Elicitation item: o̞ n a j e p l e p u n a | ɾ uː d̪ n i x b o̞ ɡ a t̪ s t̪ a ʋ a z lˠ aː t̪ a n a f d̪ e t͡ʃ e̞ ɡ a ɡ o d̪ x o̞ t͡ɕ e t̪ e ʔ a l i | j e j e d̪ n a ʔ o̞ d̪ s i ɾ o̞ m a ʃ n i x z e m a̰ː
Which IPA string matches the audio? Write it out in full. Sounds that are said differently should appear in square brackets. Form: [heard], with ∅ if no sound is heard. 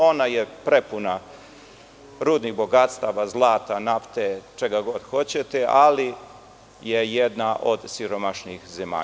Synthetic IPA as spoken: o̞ n a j e p [ɾ] e p u n a | ɾ uː d̪ n i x b o̞ ɡ a t̪ s t̪ a ʋ a z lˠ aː t̪ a n a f [t̪] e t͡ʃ e̞ ɡ a ɡ o d̪ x o̞ t͡ɕ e t̪ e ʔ a l i | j e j e d̪ n a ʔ o̞ d̪ s i ɾ o̞ m a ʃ n i x z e m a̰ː

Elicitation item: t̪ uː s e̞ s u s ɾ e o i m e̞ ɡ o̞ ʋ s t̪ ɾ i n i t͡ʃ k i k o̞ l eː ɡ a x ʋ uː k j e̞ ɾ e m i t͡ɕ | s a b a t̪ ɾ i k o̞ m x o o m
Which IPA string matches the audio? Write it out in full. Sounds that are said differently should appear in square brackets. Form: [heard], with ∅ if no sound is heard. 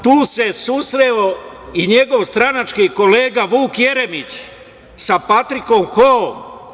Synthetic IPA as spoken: t̪ uː s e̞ s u s ɾ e o i [ɲ] e̞ ɡ o̞ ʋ s t̪ ɾ [a] n [a] t͡ʃ k i k o̞ l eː ɡ a [∅] ʋ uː k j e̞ ɾ e m i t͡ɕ | s a [p] a t̪ ɾ i k o̞ m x o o m

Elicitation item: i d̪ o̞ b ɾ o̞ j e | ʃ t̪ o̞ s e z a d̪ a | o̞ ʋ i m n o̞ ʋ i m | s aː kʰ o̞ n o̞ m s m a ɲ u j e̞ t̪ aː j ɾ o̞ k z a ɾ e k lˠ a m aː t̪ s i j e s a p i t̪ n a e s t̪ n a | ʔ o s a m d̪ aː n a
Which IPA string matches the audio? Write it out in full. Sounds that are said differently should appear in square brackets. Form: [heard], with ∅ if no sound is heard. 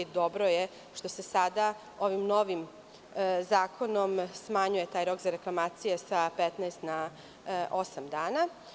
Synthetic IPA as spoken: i d̪ o̞ b ɾ o̞ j e | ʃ t̪ o̞ s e [s] a d̪ a | o̞ ʋ i m n o̞ ʋ i m | [z] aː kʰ o̞ n o̞ m s m a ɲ u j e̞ t̪ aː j ɾ o̞ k z a ɾ e k lˠ a m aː t̪ s i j e s a p [e] t̪ n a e s t̪ n a | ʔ o s a m d̪ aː n a

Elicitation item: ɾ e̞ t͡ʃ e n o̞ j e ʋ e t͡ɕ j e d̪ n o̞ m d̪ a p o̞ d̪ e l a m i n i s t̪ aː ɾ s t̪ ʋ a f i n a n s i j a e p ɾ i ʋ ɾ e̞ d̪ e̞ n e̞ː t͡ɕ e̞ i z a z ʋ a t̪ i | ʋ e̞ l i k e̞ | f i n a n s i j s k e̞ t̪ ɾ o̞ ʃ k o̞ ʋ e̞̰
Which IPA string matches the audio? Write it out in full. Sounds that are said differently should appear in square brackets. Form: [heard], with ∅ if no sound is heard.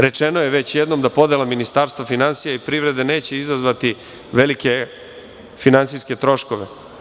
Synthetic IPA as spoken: ɾ e̞ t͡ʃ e n o̞ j e ʋ e t͡ɕ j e d̪ n o̞ m d̪ a p o̞ d̪ e l a m i n i s t̪ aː ɾ s t̪ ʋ a f i n a n s i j a [i] p ɾ i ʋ ɾ e̞ d̪ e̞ n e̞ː t͡ɕ e̞ i z a z ʋ a t̪ i | ʋ e̞ l i k e̞ | f i n a n s i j s k e̞ t̪ ɾ o̞ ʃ k o̞ ʋ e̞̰

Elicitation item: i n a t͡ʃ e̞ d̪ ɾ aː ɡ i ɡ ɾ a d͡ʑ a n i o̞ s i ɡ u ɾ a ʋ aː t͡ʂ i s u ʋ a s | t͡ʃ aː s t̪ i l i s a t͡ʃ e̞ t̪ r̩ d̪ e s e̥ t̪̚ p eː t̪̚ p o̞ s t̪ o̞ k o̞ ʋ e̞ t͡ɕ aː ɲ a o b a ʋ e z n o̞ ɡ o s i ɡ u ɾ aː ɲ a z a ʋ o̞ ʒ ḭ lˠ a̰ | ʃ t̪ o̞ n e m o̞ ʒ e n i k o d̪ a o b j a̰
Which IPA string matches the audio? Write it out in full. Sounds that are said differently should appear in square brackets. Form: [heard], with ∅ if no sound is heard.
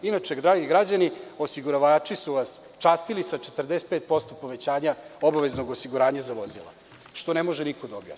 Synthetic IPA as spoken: i n a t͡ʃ e̞ d̪ ɾ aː ɡ i ɡ ɾ a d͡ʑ a n i o̞ s i ɡ u ɾ a ʋ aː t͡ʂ i s u ʋ a s | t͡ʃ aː s t̪ i l i s a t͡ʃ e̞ t̪ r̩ d̪ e s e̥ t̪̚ p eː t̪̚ p o̞ s t̪ o̞ [p] o̞ ʋ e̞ t͡ɕ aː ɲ a o b a ʋ e z n o̞ ɡ o s i ɡ u ɾ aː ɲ a z a ʋ o̞ [z] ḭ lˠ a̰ | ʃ t̪ o̞ n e m o̞ ʒ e n i k o d̪ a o b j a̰

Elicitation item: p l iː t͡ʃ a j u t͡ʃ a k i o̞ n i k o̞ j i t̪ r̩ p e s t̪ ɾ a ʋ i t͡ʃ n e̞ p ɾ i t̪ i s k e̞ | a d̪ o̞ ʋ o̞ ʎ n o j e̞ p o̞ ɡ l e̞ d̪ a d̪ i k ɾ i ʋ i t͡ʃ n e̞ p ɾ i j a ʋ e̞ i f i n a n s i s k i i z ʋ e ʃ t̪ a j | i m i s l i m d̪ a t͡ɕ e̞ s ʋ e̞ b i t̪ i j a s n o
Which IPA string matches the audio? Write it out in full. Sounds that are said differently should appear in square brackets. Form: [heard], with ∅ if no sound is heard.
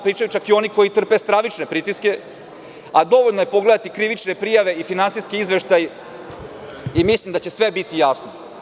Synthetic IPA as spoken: p [ɾ] iː t͡ʃ a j u t͡ʃ a k i o̞ n i k o̞ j i t̪ r̩ p e s t̪ ɾ a ʋ i t͡ʃ n e̞ p ɾ i t̪ i s k e̞ | a d̪ o̞ ʋ o̞ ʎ n o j e̞ p o̞ ɡ l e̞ d̪ a [t̪] i k ɾ i ʋ i t͡ʃ n e̞ p ɾ i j a ʋ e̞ i f i n a n s i s k i i z ʋ e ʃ t̪ a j | i m i s l i m d̪ a t͡ɕ e̞ s ʋ e̞ b i t̪ i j a s n o

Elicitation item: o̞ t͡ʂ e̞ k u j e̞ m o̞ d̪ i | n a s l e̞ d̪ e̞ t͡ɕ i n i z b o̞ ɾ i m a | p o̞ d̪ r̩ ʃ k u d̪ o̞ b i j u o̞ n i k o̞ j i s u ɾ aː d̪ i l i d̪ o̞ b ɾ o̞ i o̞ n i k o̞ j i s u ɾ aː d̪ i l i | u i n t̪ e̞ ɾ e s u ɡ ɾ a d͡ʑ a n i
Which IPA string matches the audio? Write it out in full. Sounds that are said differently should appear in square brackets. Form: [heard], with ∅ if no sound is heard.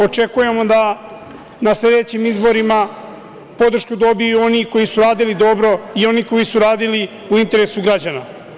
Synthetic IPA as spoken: o̞ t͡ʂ e̞ k u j e̞ m o̞ d̪ [a] | n a s l e̞ d̪ e̞ t͡ɕ i [m] i z b o̞ ɾ i m a | p o̞ d̪ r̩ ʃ k u d̪ o̞ b i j u o̞ n i k o̞ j i s u ɾ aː d̪ i l i d̪ o̞ b ɾ o̞ i o̞ n i k o̞ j i s u ɾ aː d̪ i l i | u i n t̪ e̞ ɾ e s u ɡ ɾ a d͡ʑ a n [a]

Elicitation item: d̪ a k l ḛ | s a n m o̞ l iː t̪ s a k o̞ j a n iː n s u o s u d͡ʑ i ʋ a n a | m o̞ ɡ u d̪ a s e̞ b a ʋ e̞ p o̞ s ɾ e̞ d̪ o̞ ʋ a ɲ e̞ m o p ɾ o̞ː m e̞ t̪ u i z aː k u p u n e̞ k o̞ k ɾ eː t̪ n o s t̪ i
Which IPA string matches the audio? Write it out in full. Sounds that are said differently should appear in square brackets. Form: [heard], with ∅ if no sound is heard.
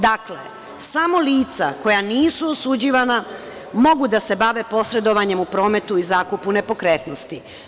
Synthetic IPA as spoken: d̪ a k l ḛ | s a [∅] m o̞ l iː t̪ s a k o̞ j a n iː [∅] s u o s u d͡ʑ i ʋ a n a | m o̞ ɡ u d̪ a s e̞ b a ʋ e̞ p o̞ s ɾ e̞ d̪ o̞ ʋ a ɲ e̞ m [u] p ɾ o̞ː m e̞ t̪ u i z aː k u p u n e̞ [p] o̞ k ɾ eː t̪ n o s t̪ i

